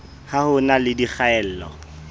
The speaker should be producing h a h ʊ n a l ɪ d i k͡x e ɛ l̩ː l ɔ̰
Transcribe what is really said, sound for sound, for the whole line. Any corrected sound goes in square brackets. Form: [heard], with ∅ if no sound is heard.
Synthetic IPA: h a h ʊ n a l ɪ d i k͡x [a] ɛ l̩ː l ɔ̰